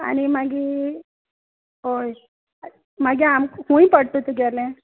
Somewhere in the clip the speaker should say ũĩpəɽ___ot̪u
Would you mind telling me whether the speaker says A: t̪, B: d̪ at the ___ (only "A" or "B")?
A